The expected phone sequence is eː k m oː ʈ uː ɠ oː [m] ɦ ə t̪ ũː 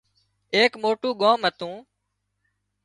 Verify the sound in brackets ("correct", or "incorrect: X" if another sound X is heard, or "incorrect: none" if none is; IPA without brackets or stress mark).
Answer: correct